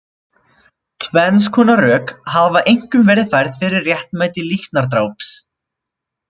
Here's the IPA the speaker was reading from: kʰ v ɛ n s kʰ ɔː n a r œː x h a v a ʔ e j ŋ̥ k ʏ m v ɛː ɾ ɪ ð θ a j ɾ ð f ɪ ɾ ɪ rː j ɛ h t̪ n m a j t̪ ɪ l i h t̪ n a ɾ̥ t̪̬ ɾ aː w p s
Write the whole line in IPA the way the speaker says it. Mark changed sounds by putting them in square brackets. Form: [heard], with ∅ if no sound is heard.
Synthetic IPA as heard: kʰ v ɛ n s kʰ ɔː n a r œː [k] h a v a ʔ e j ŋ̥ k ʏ m v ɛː ɾ ɪ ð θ a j ɾ ð f ɪ ɾ ɪ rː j ɛ h t̪ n m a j t̪ ɪ l i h t̪ n a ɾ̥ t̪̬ ɾ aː w p s